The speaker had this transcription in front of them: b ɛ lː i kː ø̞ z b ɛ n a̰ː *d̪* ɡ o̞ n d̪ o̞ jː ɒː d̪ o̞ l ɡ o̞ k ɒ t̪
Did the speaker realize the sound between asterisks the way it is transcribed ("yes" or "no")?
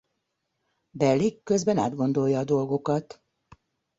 yes